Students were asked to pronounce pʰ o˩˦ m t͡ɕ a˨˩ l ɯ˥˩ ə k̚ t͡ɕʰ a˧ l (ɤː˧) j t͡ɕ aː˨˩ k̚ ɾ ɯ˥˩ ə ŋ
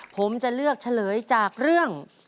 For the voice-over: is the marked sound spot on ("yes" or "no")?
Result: no